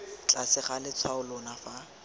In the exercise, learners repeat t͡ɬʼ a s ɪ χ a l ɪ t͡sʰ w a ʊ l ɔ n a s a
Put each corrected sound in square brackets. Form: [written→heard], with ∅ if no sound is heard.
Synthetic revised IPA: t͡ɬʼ a s ɪ χ a l ɪ t͡sʰ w a ʊ l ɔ n a [s→f] a